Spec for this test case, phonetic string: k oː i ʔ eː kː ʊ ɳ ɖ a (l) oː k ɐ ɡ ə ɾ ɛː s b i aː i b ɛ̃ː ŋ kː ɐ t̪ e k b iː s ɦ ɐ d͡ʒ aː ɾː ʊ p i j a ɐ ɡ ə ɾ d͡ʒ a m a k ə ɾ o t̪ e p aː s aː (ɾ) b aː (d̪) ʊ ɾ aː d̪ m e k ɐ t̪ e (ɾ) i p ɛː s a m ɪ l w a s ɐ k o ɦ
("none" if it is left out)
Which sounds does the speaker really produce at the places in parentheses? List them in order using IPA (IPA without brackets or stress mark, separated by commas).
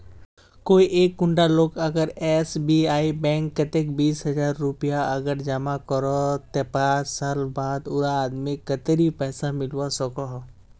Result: l, l, d̪, ɾ